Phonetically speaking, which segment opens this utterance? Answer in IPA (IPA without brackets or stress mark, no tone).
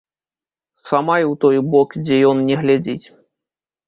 s